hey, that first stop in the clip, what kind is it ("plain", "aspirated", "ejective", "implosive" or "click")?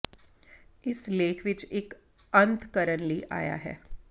aspirated